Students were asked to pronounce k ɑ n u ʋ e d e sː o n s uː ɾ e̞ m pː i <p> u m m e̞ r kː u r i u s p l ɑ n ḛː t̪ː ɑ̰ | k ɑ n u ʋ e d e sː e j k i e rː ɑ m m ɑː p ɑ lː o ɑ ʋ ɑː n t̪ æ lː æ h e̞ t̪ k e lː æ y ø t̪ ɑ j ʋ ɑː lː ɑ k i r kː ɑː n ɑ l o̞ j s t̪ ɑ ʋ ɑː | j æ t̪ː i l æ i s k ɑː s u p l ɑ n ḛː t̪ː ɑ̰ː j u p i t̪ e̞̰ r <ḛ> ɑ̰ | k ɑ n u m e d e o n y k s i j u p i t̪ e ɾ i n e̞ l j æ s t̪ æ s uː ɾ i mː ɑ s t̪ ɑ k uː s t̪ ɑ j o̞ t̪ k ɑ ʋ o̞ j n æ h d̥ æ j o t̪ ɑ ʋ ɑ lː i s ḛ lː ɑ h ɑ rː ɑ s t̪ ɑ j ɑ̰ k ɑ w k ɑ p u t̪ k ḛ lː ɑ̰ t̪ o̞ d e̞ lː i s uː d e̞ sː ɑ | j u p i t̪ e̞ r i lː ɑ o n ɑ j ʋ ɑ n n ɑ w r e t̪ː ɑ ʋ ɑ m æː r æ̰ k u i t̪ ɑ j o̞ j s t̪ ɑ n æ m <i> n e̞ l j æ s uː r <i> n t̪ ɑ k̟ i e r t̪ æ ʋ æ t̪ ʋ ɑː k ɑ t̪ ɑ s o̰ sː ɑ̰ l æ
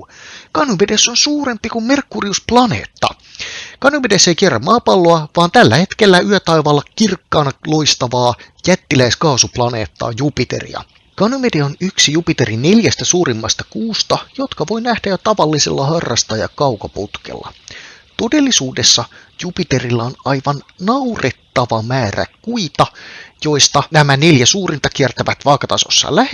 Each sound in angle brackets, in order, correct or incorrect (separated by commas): incorrect, incorrect, incorrect, correct